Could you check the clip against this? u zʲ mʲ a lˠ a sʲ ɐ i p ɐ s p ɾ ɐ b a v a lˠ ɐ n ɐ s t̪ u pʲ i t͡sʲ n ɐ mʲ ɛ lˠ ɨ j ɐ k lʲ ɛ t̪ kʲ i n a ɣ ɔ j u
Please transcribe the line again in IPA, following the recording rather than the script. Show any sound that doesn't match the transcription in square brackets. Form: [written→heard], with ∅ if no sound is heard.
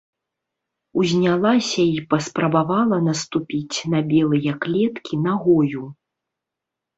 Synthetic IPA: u zʲ [mʲ→nʲ] a lˠ a sʲ ɐ i p ɐ s p ɾ ɐ b a v a lˠ ɐ n ɐ s t̪ u pʲ i t͡sʲ n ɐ [mʲ→bʲ] ɛ lˠ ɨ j ɐ k lʲ ɛ t̪ kʲ i n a ɣ ɔ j u

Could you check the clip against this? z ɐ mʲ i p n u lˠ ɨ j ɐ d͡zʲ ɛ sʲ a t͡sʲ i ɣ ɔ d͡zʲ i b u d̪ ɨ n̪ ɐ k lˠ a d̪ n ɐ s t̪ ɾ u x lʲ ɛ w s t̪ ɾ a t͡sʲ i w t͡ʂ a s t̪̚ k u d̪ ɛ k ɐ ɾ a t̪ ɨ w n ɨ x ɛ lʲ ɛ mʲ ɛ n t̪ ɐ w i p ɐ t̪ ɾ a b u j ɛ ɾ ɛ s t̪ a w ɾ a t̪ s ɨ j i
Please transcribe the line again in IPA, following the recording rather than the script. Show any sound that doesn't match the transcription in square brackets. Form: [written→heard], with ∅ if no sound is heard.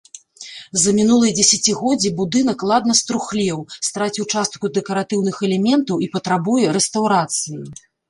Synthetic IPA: z ɐ mʲ i [p→∅] n u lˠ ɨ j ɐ d͡zʲ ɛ sʲ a t͡sʲ i ɣ ɔ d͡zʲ i b u d̪ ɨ n̪ ɐ k lˠ a d̪ n ɐ s t̪ ɾ u x lʲ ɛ w s t̪ ɾ a t͡sʲ i w t͡ʂ a s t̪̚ k u d̪ ɛ k ɐ ɾ a t̪ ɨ w n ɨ x ɛ lʲ ɛ mʲ ɛ n t̪ ɐ w i p ɐ t̪ ɾ a b u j ɛ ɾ ɛ s t̪ a w ɾ a t̪ s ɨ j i

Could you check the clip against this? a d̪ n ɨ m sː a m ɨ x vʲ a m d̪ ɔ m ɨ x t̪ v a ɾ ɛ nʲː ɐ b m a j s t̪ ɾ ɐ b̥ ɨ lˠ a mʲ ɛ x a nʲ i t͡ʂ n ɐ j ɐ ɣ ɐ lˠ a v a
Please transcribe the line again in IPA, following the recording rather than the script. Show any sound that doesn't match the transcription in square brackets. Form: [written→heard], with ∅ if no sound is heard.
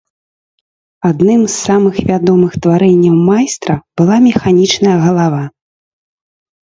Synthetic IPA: a d̪ n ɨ m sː a m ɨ x vʲ a [m→∅] d̪ ɔ m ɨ x t̪ v a ɾ ɛ nʲː ɐ [b→w] m a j s t̪ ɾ ɐ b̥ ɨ lˠ a mʲ ɛ x a nʲ i t͡ʂ n ɐ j ɐ ɣ ɐ lˠ a v a

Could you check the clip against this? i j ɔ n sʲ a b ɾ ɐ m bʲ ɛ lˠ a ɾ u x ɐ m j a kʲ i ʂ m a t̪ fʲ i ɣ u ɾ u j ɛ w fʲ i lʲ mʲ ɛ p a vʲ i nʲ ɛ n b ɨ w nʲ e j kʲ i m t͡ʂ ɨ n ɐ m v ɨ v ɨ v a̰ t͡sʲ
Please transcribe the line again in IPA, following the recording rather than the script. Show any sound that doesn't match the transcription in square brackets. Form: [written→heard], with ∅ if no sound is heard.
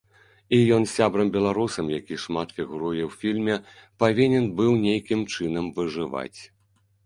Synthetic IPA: i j ɔ n sʲ a b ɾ ɐ m bʲ ɛ lˠ a ɾ u [x→s] ɐ m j a kʲ i ʂ m a t̪ fʲ i ɣ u ɾ u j ɛ w fʲ i lʲ mʲ ɛ p a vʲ i nʲ ɛ n b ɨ w nʲ e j kʲ i m t͡ʂ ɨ n ɐ m v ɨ [v→ʐ] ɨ v a̰ t͡sʲ

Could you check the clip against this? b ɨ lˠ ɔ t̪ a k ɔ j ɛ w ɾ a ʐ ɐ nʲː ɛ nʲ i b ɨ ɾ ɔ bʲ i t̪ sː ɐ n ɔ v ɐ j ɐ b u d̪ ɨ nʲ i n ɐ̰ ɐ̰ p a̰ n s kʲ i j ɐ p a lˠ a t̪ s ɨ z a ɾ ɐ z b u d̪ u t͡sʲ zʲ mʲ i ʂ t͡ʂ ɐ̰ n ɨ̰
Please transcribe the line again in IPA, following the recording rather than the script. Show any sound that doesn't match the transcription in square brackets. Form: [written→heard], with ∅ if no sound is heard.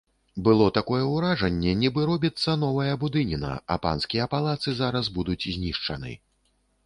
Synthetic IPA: b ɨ lˠ ɔ t̪ a k ɔ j ɛ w ɾ a ʐ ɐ nʲː ɛ nʲ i b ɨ ɾ ɔ bʲ i t̪ sː ɐ n ɔ v ɐ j ɐ b u d̪ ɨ nʲ i n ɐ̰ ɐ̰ p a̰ n s kʲ i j ɐ p a lˠ a t̪ s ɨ z a ɾ ɐ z b u d̪ u t͡sʲ zʲ [mʲ→nʲ] i ʂ t͡ʂ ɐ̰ n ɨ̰

